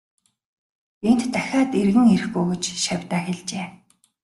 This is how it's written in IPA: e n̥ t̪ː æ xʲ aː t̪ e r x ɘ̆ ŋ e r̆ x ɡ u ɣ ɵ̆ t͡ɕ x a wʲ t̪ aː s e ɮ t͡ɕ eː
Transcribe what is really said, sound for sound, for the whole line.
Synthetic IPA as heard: e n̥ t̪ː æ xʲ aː t̪ e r ɣ ɘ̆ ŋ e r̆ x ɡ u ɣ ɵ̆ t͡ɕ ʃ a wʲ t̪ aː x e ɮ t͡ɕ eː